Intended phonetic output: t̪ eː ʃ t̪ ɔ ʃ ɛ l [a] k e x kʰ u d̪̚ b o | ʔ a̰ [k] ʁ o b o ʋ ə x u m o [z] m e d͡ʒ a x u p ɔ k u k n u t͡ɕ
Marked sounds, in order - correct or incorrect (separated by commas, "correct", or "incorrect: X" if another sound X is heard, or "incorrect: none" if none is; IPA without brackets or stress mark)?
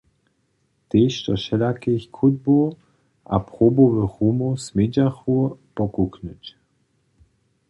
correct, incorrect: p, incorrect: s